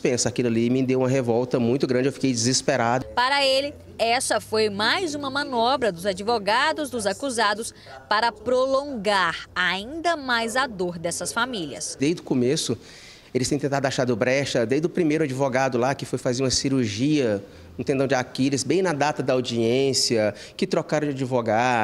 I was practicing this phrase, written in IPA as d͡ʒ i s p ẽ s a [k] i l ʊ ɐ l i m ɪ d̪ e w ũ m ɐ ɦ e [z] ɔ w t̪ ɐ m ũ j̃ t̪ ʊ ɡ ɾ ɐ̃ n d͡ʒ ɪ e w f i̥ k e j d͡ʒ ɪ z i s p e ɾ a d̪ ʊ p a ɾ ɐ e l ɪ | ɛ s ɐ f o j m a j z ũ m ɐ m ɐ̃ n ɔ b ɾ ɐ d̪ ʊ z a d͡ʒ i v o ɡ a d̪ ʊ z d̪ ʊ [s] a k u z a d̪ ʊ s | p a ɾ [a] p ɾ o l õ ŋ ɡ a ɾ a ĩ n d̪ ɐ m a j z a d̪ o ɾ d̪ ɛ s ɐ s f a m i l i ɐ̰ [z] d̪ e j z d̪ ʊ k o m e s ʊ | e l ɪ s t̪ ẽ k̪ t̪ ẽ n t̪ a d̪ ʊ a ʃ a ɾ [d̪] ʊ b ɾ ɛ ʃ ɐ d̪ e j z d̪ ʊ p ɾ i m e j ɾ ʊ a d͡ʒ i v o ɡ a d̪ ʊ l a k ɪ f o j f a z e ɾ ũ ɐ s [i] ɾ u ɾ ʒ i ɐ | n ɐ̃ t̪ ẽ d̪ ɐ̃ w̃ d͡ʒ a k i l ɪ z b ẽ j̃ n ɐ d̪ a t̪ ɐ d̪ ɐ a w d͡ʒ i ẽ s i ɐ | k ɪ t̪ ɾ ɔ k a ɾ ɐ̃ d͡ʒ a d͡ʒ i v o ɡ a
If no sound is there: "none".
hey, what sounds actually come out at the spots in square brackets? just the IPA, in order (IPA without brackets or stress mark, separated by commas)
k, v, z, ɐ, s, d̪, i